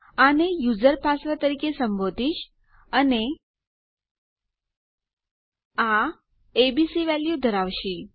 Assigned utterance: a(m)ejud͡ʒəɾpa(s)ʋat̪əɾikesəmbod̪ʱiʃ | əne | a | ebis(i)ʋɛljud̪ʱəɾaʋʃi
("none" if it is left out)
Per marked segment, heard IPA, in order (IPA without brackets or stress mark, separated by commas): n, s, i